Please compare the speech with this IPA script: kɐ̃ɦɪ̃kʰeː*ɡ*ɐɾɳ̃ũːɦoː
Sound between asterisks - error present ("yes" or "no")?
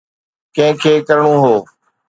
yes